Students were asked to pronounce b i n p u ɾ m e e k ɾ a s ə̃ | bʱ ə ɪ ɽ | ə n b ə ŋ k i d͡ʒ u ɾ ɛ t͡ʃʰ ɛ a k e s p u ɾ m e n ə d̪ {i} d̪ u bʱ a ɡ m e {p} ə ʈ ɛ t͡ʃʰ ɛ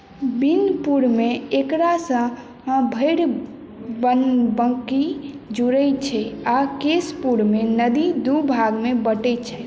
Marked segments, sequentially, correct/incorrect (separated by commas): correct, incorrect